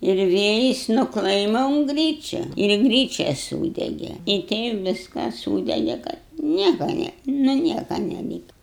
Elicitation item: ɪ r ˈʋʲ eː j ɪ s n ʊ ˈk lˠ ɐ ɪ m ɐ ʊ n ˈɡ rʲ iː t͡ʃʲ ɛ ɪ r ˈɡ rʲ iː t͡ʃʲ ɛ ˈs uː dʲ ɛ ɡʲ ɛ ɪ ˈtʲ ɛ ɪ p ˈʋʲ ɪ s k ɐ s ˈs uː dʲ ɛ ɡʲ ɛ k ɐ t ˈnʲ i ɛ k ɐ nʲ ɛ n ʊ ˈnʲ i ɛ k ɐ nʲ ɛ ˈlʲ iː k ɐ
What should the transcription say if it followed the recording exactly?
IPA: ɪ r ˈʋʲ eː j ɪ s n ʊ ˈk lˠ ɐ ɪ m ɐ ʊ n ˈɡ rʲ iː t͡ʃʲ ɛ ɪ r ˈɡ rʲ iː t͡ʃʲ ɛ ˈs uː dʲ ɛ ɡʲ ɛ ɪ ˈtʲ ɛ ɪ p ˈʋʲ ɪ s k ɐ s ˈs uː dʲ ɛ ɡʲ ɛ k ɐ t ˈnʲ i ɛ k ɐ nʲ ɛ n ʊ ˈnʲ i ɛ k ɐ nʲ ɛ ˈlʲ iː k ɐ